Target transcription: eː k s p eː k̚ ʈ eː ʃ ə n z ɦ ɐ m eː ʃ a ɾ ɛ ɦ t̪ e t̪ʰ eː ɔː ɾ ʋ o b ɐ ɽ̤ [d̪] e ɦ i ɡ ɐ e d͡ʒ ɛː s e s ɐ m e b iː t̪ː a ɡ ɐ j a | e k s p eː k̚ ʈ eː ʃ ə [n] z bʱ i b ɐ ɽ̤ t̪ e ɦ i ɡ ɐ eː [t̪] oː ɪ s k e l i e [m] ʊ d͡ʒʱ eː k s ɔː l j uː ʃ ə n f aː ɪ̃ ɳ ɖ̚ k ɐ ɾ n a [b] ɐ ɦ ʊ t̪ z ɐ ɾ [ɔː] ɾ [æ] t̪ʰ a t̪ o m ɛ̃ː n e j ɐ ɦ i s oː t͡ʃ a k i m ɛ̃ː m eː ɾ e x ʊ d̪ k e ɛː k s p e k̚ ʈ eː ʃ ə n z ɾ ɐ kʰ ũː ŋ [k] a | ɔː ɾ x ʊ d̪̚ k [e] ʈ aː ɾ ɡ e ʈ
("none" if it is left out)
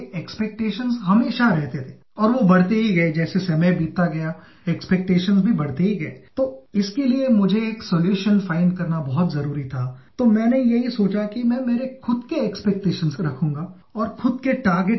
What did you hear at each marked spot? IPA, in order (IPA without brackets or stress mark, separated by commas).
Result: t̪, n, t̪, m, b, uː, i, ɡ, e